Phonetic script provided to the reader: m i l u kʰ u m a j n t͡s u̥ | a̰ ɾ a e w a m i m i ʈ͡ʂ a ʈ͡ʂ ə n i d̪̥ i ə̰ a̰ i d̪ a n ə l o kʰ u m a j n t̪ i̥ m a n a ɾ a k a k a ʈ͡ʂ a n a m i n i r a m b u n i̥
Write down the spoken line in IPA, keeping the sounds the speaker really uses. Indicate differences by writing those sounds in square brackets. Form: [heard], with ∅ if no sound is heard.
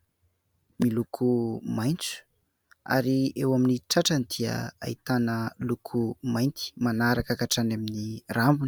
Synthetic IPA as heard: m i l u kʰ u m a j n t͡s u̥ | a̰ ɾ [i] e w a m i [n] i ʈ͡ʂ a ʈ͡ʂ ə n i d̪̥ i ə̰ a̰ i [t̪] a n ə l [u] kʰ u m a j n t̪ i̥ m a n a ɾ a k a k a ʈ͡ʂ a n a m i n i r a m b u n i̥